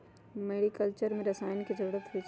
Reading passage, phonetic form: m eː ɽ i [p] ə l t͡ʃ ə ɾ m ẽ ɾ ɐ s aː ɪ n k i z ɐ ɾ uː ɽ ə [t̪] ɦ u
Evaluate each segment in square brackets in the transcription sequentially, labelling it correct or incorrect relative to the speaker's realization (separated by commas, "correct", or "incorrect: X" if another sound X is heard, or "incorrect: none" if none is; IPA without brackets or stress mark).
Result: incorrect: k, correct